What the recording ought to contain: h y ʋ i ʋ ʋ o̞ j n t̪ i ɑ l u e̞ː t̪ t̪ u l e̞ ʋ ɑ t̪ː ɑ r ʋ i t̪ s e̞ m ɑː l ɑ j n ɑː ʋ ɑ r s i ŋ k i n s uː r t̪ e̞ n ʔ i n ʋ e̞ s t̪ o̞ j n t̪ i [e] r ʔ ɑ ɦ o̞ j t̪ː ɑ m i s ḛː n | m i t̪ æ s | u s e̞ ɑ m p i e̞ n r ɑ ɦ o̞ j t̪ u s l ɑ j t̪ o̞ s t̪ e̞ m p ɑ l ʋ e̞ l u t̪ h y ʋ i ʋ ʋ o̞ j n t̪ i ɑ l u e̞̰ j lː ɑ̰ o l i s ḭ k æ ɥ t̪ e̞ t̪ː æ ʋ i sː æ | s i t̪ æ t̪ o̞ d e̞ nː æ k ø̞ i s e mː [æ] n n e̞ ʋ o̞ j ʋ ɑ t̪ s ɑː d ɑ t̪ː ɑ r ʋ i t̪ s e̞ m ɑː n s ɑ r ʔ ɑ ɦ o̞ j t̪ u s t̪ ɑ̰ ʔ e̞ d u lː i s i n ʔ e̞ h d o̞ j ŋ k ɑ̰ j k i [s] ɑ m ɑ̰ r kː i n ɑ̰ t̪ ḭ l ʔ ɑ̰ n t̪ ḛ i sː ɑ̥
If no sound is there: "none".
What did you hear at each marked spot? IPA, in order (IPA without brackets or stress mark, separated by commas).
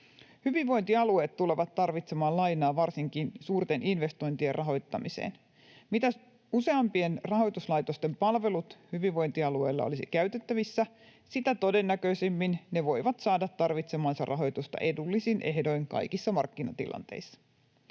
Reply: e, i, sː